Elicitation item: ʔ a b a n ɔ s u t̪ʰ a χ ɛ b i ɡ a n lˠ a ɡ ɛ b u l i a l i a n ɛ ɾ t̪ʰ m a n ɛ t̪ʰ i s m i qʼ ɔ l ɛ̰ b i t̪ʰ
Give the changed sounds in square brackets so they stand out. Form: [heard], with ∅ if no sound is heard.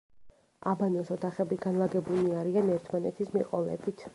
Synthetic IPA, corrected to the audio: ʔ a b a n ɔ s [ɔ] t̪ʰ a χ ɛ b i ɡ a n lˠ a ɡ ɛ b u l i a [ɾ] i a n ɛ ɾ t̪ʰ m a n ɛ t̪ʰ i s m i qʼ ɔ l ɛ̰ b i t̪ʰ